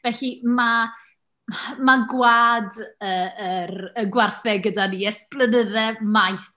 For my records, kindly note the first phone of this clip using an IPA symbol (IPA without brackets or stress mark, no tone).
v